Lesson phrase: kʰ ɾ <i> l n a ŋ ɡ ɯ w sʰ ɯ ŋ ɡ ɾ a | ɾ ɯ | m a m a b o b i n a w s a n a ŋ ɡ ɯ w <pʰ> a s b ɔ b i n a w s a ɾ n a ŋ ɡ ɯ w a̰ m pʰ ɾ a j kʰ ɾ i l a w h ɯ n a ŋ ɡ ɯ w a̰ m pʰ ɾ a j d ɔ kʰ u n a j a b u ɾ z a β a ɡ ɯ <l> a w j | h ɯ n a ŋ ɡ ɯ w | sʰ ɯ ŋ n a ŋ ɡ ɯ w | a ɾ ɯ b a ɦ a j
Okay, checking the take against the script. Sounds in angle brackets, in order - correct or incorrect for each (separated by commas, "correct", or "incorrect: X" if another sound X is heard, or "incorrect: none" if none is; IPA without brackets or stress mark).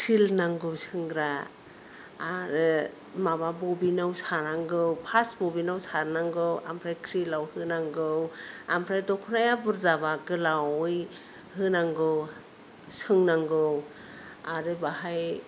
correct, correct, correct